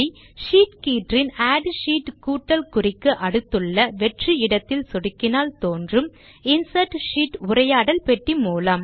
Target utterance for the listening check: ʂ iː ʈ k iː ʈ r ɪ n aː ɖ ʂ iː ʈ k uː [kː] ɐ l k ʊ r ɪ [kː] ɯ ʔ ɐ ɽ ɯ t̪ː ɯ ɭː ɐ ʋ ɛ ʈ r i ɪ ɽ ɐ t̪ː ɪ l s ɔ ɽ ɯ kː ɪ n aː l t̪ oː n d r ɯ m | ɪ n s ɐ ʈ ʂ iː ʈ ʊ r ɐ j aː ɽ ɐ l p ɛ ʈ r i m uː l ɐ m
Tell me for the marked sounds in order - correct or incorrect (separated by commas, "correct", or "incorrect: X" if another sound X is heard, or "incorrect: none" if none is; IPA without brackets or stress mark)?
incorrect: ʈː, correct